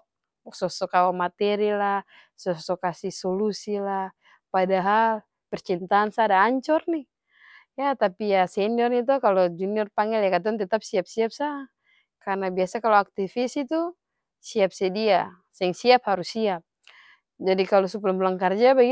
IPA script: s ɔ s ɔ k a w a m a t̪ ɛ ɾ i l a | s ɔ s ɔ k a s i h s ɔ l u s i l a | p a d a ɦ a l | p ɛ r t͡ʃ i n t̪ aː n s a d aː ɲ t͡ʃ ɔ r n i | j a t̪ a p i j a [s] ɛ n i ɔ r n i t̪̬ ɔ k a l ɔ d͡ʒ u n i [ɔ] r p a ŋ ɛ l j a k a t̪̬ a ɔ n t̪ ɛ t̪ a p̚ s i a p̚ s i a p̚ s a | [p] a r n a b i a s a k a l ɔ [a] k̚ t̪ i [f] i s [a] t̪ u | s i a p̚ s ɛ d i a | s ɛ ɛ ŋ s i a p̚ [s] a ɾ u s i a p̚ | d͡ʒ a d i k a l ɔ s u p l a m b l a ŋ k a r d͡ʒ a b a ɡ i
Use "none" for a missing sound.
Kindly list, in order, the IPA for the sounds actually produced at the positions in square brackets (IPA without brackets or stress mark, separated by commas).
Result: s, ɔ, k, a, f, i, h